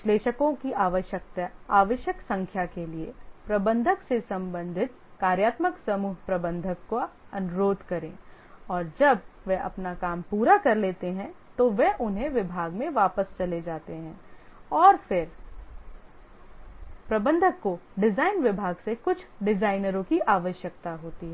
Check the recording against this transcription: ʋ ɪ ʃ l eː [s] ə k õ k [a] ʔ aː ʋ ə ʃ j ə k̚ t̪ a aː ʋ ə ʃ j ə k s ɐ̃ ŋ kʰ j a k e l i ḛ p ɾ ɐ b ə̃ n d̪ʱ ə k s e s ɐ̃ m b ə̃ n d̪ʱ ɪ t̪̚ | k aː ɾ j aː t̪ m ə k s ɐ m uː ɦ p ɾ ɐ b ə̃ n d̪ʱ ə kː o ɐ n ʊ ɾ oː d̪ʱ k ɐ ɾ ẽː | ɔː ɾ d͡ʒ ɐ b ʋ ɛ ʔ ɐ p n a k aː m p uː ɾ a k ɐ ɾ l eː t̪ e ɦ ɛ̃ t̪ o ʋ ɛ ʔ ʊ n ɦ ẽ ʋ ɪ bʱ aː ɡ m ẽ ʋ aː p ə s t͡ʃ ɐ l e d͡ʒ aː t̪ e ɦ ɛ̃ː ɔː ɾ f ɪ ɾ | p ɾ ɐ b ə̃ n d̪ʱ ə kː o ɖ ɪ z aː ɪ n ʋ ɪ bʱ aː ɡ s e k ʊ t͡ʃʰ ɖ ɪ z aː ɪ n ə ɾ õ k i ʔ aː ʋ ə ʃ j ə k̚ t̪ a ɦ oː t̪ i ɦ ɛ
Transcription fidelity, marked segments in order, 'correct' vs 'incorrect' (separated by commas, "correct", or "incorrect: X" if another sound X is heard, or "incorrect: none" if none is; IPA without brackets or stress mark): incorrect: ʃ, incorrect: i